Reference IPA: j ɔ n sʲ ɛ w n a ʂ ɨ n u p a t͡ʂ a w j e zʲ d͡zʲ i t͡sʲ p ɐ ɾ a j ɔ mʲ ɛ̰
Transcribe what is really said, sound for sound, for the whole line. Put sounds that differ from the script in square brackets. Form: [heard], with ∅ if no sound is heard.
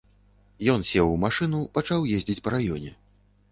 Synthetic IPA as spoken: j ɔ n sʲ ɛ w [m] a ʂ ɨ n u p a t͡ʂ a w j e zʲ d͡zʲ i t͡sʲ p ɐ ɾ a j ɔ [nʲ] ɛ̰